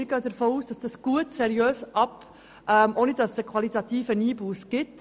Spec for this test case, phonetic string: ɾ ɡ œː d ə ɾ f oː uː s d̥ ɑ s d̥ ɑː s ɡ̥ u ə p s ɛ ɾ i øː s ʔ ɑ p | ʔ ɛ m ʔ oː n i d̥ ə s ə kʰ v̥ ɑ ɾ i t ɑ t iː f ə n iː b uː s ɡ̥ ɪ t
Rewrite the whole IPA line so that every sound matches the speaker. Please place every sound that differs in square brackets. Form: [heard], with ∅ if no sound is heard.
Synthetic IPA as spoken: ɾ ɡ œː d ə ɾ f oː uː s d̥ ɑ s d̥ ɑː s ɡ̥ u ə [t] s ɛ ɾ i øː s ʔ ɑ p | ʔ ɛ m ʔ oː n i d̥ [ɑ] s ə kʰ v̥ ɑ [l] i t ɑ t iː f ə n iː b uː s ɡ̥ ɪ t